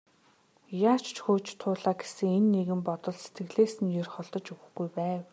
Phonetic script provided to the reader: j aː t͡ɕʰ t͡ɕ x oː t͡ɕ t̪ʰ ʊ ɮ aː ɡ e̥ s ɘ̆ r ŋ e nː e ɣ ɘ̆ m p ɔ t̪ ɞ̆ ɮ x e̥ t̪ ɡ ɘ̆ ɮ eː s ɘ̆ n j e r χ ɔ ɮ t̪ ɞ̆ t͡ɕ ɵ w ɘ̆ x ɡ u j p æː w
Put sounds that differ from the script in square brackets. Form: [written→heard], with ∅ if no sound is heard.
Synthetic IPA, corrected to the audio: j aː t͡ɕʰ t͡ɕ x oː t͡ɕ t̪ʰ [ʊ→ʊː] ɮ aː ɡ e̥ s ɘ̆ [r→∅] ŋ e nː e ɣ ɘ̆ m p ɔ t̪ ɞ̆ ɮ [x→s] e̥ t̪ ɡ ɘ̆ ɮ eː s ɘ̆ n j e r χ ɔ ɮ t̪ ɞ̆ t͡ɕ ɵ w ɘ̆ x ɡ u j p æː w